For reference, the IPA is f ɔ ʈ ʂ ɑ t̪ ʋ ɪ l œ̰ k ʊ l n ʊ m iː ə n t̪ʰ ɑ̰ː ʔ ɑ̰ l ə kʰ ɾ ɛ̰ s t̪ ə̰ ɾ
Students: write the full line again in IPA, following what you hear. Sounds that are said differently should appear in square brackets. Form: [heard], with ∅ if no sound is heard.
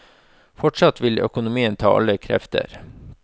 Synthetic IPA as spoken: f ɔ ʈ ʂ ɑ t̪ ʋ ɪ l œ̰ k ʊ [∅] n ʊ m iː ə n t̪ʰ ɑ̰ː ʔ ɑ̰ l ə kʰ ɾ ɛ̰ [f] t̪ ə̰ ɾ